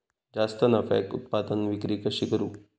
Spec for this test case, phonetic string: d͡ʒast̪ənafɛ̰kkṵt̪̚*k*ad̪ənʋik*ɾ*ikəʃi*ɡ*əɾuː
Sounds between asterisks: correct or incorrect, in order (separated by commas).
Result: incorrect, correct, incorrect